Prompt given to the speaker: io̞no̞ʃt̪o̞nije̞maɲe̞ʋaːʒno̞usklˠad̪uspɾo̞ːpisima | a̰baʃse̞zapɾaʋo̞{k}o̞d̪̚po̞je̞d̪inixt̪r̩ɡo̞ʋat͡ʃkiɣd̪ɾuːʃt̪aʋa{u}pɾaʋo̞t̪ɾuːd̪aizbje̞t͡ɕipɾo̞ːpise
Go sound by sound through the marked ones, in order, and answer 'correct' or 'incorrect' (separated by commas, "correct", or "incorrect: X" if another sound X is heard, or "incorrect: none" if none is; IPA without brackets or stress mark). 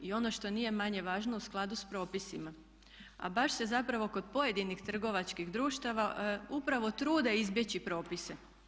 correct, correct